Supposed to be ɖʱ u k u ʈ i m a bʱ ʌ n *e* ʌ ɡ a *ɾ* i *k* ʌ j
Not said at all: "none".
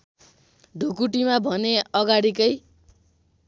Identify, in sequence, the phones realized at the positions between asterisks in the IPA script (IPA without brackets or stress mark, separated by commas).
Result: e, ɽ, k